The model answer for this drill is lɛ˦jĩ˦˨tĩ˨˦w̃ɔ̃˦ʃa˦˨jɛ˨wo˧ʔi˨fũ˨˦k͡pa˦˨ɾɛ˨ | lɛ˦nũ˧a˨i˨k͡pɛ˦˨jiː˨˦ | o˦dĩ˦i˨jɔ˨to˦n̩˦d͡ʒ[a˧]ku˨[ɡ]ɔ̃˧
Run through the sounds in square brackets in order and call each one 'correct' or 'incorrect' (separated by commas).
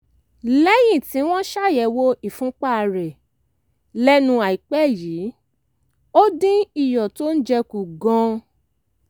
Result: incorrect, correct